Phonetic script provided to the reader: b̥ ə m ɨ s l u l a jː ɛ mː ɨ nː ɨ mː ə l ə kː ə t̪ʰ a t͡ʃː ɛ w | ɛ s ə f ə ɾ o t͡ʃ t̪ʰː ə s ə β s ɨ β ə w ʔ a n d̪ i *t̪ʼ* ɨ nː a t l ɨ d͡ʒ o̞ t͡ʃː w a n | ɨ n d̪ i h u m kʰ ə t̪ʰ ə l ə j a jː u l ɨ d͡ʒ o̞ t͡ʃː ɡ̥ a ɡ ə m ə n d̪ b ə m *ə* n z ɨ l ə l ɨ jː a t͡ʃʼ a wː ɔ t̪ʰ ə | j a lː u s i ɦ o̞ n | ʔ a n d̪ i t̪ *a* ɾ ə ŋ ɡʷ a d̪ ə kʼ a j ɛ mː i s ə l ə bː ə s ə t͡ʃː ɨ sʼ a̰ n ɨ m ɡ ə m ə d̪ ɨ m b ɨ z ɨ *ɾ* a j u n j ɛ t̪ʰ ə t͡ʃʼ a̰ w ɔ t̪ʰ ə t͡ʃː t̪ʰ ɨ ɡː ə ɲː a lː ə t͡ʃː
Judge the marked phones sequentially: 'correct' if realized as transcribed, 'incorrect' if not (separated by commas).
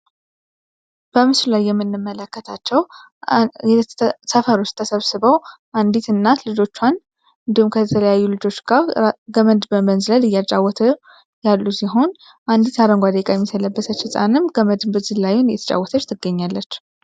incorrect, correct, correct, incorrect